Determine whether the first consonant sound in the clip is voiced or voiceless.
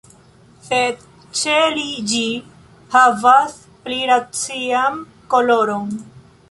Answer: voiceless